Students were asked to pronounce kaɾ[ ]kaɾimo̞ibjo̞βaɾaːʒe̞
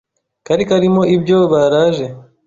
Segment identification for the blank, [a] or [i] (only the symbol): i